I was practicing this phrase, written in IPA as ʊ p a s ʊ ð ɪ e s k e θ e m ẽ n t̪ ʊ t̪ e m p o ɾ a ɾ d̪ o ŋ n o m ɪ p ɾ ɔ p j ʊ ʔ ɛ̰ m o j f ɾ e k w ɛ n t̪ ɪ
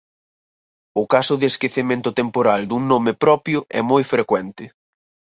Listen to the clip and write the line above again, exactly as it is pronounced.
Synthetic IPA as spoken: ʊ k a s ʊ ð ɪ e s k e θ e m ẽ n t̪ ʊ t̪ e m p o ɾ a l d̪ u ŋ n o m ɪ p ɾ ɔ p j ʊ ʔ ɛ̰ m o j f ɾ e k w ɛ n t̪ ɪ